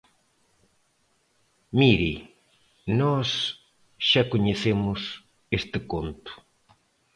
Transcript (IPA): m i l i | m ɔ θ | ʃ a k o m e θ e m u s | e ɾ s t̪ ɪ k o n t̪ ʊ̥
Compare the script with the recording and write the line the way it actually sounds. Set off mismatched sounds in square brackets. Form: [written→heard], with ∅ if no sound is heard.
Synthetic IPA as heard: m i [l→ɾ] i | [m→n] ɔ [θ→s] | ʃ a k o [m→ɲ] e θ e m [u→ʊ] s | e [ɾ→∅] s t̪ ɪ k o n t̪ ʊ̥